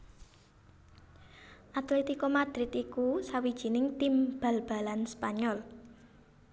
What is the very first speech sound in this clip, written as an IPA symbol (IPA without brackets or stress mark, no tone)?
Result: ʔ